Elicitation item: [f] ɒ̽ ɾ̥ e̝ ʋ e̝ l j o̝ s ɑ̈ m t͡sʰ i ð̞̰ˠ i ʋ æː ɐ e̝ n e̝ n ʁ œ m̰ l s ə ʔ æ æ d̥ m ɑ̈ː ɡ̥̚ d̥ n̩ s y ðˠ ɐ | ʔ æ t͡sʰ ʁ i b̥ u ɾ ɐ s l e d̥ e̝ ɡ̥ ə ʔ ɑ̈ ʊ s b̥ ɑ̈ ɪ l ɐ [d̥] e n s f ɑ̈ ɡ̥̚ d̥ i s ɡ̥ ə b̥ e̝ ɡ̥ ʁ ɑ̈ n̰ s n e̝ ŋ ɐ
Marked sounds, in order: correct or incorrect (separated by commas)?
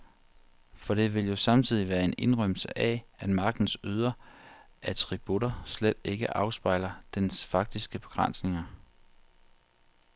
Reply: correct, correct